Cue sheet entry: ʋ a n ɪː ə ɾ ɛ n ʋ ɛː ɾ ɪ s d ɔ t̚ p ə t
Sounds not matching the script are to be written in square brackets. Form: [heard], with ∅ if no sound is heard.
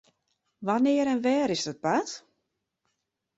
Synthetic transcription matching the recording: ʋ a n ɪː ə ɾ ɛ n ʋ ɛː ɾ ɪ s d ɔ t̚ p [a] t